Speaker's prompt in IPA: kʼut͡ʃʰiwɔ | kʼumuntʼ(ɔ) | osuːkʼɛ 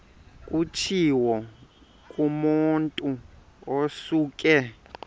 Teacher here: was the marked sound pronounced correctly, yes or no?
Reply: no